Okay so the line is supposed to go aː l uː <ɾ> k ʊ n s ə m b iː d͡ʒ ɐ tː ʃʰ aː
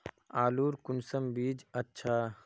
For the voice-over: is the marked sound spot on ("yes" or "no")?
yes